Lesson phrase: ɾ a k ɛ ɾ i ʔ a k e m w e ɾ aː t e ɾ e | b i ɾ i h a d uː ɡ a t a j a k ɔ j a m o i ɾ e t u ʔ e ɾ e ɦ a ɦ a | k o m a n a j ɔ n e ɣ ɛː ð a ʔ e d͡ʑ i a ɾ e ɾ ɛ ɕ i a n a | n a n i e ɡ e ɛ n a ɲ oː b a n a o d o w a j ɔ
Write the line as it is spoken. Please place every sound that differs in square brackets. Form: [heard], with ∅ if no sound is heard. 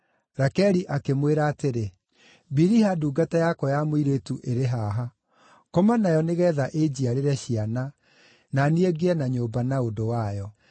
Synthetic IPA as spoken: ɾ a k ɛ ɾ i ʔ a k e m w e ɾ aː t e ɾ e | b i ɾ i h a d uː ɡ a t a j a k ɔ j a m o i ɾ e t u ʔ e ɾ e ɦ a ɦ a | k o m a n a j ɔ n e ɣ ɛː ð a ʔ e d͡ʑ i a ɾ e ɾ ɛ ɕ i a n a | n a n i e ɡ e ɛ n a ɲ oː b a n a o d o w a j ɔ